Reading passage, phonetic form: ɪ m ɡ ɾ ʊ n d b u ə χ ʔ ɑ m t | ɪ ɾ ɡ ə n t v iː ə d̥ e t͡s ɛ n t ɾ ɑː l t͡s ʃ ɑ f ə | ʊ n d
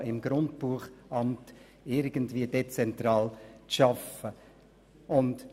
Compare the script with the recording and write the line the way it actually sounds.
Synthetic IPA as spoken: ɪ m ɡ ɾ ʊ n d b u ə χ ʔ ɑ m t | ɪ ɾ ɡ ə n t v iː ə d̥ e t͡s ɛ n t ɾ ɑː l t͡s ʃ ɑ f ə | ʊ n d

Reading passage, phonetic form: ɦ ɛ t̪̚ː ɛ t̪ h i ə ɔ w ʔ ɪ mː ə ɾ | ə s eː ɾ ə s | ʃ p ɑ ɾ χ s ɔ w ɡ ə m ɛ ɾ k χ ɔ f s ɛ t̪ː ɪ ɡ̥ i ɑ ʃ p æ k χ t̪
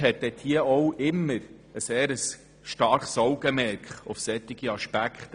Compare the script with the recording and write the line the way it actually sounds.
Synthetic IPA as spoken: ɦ ɛ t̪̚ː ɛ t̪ h i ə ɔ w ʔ ɪ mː ə ɾ | ə s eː ɾ ə s | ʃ t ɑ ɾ χ s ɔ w ɡ ə m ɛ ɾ k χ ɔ f s ɛ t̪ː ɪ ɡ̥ i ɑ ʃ p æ k χ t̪

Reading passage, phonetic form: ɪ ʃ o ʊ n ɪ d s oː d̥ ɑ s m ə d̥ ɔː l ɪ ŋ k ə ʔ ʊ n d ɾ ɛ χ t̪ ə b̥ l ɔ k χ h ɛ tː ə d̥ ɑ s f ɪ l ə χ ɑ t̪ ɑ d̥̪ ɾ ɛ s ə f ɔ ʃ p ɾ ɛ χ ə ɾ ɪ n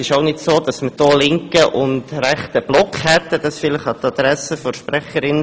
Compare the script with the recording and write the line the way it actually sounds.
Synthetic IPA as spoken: ɪ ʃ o ʊ n ɪ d s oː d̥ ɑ s m ə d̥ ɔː l ɪ ŋ k ə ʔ ʊ n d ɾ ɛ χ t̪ ə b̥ l ɔ k χ h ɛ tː ə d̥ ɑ s f ɪ l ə χ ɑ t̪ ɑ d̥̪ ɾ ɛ s ə f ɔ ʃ p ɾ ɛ χ ə ɾ ɪ n

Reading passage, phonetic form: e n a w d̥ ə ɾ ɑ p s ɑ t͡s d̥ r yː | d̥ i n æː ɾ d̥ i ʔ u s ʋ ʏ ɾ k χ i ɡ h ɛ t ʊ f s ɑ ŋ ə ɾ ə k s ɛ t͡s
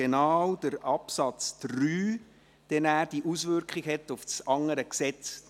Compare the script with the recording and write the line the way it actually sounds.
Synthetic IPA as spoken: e n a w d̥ ə ɾ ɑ p s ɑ t͡s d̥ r yː | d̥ ɛ n æː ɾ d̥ i ʔ u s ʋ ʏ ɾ k χ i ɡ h ɛ t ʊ f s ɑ ŋ ə ɾ ə k s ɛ t͡s

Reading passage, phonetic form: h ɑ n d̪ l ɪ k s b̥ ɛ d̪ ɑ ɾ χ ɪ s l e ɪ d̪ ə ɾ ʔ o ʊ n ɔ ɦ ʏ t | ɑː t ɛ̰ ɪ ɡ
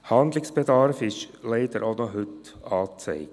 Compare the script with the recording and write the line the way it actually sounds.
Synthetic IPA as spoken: h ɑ n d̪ l ɪ k s b̥ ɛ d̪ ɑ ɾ f ɪ ʃ l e ɪ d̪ ə ɾ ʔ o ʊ n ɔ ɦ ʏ t | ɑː t͡s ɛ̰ ɪ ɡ

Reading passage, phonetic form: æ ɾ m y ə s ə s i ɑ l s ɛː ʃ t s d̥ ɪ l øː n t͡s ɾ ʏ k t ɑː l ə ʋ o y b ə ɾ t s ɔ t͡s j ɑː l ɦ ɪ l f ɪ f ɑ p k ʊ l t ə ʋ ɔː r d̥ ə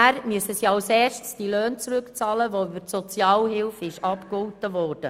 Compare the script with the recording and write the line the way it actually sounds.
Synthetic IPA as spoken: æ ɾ m y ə s ə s i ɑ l s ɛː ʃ t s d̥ i l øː n t͡s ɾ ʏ k t͡s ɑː l ə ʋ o y b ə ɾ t s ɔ t͡s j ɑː l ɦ ɪ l f ɪ ʃ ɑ p k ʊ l t ə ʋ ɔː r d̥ ə

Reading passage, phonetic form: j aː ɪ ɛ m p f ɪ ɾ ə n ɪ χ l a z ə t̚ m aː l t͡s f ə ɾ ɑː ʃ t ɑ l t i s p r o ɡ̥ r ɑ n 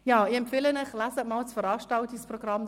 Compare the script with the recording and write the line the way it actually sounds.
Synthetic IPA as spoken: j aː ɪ ɛ m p f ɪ l ə n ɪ χ l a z ə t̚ m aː l t͡s f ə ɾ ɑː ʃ t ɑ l t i s p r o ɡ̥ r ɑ m

